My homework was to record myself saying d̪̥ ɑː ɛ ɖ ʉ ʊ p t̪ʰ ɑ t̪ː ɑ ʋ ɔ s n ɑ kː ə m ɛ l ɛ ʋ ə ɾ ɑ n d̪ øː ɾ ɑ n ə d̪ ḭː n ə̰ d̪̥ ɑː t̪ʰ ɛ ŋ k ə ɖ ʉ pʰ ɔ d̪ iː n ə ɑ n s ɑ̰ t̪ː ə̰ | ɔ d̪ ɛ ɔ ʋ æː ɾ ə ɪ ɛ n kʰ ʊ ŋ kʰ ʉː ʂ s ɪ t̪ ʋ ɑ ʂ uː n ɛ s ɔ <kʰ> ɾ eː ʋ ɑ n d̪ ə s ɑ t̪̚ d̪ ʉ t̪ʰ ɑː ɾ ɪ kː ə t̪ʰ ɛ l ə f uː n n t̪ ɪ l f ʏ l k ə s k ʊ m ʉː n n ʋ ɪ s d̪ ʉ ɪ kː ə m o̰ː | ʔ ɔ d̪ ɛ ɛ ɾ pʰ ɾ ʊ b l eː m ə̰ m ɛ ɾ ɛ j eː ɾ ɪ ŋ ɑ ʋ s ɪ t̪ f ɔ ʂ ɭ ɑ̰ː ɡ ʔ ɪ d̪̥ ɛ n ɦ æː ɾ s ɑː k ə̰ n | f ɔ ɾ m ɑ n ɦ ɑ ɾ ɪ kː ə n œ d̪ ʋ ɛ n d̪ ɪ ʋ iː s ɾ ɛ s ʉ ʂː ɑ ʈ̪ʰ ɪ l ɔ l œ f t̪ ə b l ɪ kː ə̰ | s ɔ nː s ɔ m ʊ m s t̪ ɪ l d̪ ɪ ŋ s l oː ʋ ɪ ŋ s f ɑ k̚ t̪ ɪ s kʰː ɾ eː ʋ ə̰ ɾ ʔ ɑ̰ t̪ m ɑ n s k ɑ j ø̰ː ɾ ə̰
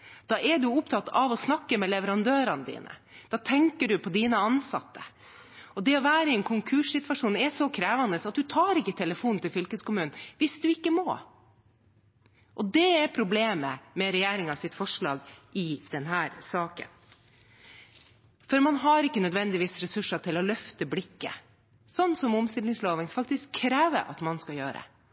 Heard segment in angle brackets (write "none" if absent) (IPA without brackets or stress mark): kʰ